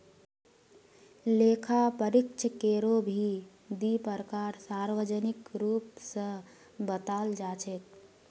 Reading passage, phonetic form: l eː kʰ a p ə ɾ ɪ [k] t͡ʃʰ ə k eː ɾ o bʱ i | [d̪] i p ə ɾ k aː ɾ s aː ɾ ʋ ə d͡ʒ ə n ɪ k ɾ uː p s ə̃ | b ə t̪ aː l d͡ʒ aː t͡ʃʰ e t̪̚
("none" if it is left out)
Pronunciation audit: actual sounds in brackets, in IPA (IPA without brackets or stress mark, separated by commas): k, d̪